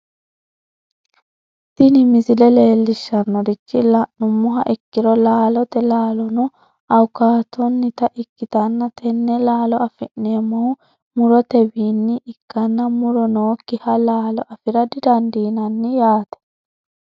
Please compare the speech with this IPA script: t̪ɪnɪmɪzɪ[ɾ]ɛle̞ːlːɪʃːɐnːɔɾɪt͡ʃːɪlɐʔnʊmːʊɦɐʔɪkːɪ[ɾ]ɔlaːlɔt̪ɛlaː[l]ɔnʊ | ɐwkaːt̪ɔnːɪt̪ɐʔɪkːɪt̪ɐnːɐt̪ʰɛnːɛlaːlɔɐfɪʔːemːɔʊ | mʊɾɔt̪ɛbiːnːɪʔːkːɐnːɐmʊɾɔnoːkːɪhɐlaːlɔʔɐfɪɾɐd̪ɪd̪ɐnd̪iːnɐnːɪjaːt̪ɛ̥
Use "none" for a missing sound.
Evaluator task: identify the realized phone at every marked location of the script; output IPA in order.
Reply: l, ɾ, l

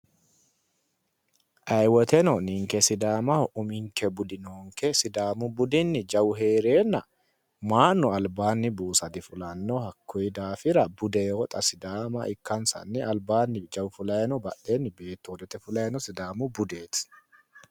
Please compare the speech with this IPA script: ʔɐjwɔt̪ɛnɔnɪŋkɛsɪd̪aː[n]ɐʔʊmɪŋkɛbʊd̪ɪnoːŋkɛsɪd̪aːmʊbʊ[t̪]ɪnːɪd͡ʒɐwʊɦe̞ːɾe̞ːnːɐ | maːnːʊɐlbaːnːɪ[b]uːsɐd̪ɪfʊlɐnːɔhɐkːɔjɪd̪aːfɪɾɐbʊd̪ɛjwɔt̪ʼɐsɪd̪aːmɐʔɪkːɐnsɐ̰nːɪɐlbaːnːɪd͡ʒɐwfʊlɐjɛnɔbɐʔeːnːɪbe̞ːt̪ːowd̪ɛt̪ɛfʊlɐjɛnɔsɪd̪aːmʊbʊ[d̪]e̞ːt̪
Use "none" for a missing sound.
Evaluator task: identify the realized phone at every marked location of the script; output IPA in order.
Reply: m, d̪, b, d̪

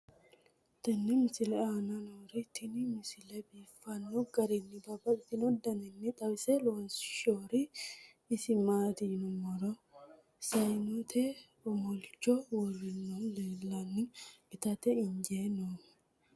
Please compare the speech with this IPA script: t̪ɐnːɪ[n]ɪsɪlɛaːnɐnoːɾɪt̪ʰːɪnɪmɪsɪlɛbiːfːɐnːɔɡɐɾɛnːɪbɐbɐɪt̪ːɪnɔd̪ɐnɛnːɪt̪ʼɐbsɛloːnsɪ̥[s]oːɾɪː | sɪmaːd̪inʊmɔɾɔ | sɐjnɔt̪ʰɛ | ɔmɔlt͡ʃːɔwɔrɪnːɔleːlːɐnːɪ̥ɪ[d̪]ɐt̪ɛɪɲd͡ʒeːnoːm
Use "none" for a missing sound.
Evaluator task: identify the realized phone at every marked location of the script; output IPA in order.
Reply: m, ʃ, t̪

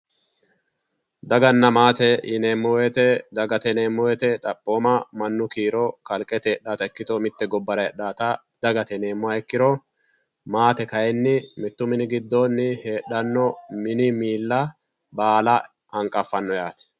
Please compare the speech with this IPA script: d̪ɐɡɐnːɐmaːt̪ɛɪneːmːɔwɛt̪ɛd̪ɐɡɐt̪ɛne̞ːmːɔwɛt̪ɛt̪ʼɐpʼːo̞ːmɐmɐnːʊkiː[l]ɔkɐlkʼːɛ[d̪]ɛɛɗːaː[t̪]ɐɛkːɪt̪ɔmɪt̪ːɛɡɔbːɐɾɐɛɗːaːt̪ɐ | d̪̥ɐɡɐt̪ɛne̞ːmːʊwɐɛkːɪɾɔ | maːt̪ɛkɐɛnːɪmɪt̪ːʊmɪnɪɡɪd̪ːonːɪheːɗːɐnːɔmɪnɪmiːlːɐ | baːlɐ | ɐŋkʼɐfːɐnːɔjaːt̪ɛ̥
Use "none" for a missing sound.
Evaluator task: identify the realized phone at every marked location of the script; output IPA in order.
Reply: ɾ, t̪, t̪

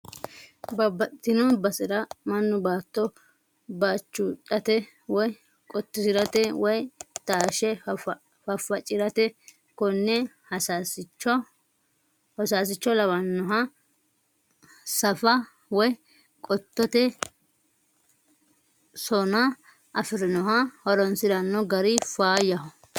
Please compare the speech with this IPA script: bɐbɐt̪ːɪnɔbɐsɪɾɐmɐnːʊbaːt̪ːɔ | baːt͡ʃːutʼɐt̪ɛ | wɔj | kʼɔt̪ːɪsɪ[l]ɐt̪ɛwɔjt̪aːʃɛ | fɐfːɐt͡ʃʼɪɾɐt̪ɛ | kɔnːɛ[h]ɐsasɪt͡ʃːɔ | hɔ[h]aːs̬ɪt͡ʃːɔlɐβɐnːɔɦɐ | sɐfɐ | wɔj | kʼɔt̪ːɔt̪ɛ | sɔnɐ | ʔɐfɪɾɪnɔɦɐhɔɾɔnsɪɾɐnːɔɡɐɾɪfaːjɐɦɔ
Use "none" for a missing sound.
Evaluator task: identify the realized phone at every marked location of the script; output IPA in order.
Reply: ɾ, h, s

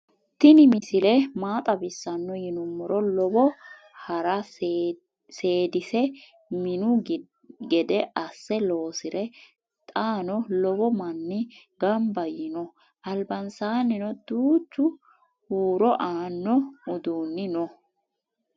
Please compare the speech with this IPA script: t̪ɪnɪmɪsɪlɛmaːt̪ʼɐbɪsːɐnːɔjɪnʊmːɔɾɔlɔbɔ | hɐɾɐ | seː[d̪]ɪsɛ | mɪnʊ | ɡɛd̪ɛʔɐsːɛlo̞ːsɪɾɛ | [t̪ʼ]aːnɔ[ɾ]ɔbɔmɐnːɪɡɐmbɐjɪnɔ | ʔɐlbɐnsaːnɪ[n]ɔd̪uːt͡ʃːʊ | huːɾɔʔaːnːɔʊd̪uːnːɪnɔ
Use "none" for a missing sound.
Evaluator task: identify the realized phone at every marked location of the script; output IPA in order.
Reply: d̪, t̪ʼ, l, n

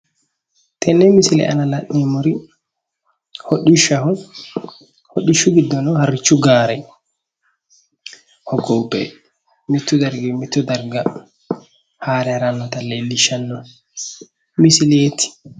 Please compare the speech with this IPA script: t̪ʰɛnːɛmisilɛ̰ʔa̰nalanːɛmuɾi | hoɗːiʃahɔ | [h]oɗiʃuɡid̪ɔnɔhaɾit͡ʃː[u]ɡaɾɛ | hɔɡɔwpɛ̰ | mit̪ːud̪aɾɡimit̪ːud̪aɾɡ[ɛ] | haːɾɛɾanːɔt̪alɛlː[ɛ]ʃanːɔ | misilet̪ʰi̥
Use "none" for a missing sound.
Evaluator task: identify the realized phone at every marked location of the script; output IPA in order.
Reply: h, u, a, i

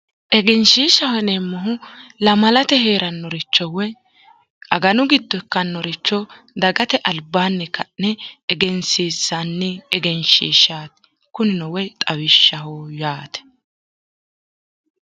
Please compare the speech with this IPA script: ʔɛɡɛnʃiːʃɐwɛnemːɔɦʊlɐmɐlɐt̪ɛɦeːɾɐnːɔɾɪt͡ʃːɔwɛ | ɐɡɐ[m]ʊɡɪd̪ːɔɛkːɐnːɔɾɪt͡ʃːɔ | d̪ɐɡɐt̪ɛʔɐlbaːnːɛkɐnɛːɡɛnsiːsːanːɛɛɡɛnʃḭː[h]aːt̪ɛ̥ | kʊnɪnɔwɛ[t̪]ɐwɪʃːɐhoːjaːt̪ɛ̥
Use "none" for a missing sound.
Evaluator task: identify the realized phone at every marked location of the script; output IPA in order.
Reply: n, ʃ, t̪ʼ

